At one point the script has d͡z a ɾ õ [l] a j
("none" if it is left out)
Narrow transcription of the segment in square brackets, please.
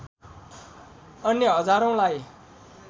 l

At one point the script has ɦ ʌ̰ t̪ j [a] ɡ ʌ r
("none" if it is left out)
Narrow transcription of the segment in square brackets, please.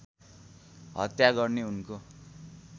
a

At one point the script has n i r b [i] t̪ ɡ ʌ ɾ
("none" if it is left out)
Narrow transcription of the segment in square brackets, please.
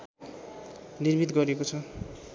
i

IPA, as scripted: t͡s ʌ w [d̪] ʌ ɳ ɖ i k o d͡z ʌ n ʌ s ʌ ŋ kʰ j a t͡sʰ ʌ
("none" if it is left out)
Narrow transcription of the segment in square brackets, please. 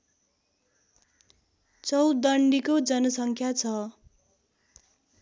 d̪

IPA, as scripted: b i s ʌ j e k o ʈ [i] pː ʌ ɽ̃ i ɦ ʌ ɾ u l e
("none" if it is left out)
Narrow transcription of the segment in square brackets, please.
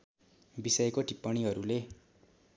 i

